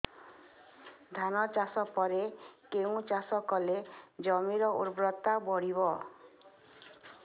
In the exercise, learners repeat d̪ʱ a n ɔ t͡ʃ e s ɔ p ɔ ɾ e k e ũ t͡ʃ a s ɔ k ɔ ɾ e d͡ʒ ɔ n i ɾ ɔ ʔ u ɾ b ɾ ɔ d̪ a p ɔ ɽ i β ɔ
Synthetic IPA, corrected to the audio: d̪ʱ a n ɔ t͡ʃ a s ɔ p ɔ ɾ e k e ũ t͡ʃ a s ɔ k ɔ l e d͡ʒ ɔ m i ɾ ɔ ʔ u ɾ b ɾ ɔ t̪ a b ɔ ɽ i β ɔ